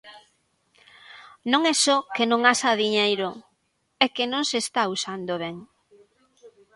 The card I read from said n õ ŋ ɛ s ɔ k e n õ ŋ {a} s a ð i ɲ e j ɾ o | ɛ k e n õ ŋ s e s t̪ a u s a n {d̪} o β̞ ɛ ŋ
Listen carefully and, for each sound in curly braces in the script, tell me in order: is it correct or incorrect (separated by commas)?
correct, correct